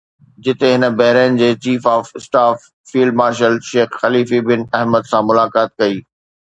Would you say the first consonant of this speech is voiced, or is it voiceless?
voiced